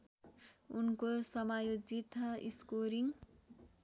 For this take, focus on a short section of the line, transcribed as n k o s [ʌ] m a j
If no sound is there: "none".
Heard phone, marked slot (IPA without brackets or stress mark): ʌ